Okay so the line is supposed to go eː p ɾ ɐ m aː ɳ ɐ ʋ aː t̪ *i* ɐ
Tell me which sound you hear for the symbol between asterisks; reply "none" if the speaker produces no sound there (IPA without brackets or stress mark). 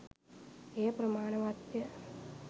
j